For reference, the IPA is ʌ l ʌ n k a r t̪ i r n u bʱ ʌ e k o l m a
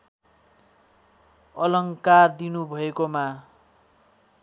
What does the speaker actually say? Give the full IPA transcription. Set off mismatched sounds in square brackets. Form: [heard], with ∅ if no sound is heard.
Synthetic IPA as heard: ʌ l ʌ [ŋ] k a r [d̪] i [∅] n u bʱ ʌ e k o [∅] m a